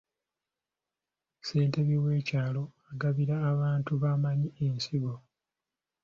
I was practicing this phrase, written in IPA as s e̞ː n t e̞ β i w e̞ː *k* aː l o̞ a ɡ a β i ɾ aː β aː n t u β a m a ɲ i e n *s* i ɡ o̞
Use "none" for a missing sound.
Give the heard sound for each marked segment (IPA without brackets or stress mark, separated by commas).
c, s